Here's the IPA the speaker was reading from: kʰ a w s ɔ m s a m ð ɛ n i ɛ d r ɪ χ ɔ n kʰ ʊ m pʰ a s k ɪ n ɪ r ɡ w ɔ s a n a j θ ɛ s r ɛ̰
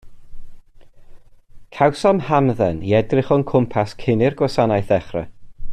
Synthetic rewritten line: kʰ a w s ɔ m h a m ð ɛ n i ɛ d r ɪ χ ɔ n kʰ ʊ m pʰ a s kʰ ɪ n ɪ r ɡ w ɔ s a n a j θ ɛ χ r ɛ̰